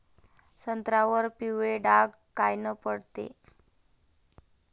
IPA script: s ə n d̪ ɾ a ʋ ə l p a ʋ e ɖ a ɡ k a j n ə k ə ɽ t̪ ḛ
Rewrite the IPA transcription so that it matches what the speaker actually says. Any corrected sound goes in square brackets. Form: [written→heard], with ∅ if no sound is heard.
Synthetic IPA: s ə n [d̪→t̪] ɾ a ʋ ə [l→ɾ] p [a→i] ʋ e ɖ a ɡ k a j n ə [k→p] ə ɽ t̪ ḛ